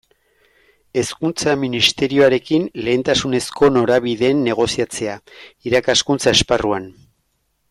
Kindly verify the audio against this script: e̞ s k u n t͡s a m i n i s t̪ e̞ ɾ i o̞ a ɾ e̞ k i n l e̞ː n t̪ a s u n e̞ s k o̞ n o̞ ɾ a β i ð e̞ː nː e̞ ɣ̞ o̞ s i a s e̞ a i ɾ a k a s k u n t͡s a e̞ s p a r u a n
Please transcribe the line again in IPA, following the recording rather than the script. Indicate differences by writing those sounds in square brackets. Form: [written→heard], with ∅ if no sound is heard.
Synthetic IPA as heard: e̞ s k u n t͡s a m i n i s t̪ e̞ ɾ i o̞ a ɾ e̞ k i n l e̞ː n t̪ a s u n e̞ s k o̞ n o̞ ɾ a β i ð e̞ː nː e̞ ɣ̞ o̞ s i a [s→t͡s] e̞ a i ɾ a k a s k u n t͡s a e̞ s p a r u a n